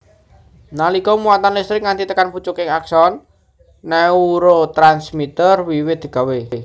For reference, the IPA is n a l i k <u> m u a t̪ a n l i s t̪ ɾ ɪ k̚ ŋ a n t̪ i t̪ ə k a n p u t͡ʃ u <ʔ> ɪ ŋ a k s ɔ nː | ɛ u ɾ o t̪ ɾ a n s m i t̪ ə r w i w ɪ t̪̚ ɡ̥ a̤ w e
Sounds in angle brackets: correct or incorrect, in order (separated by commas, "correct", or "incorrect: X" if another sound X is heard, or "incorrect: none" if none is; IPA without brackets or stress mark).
incorrect: ɔ, incorrect: k